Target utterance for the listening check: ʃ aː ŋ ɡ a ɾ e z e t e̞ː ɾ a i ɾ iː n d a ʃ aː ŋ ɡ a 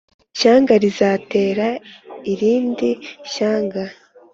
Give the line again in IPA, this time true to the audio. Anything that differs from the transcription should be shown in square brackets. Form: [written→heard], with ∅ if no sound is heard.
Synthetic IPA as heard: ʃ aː ŋ ɡ a ɾ [e→i] z [e→a] t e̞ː ɾ a i ɾ iː n d [a→i] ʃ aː ŋ ɡ a